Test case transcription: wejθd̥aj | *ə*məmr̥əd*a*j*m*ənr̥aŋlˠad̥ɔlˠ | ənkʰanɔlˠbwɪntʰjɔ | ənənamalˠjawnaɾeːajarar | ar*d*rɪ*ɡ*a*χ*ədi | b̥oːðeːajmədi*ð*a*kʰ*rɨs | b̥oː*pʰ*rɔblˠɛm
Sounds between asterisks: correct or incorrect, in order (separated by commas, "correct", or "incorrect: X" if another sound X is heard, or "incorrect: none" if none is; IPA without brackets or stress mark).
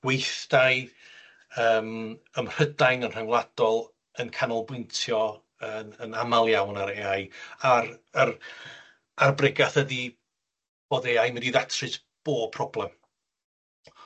incorrect: əː, correct, incorrect: n, incorrect: b, correct, incorrect: θ, correct, incorrect: tʰ, correct